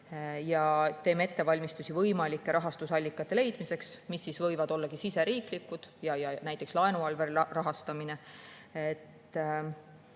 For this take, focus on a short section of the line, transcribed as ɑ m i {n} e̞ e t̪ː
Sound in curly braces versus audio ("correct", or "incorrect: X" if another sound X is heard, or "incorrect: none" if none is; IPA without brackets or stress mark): correct